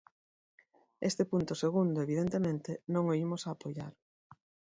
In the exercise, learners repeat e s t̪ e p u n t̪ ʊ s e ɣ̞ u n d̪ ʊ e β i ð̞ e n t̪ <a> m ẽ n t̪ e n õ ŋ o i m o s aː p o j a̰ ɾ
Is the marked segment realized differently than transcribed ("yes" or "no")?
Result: yes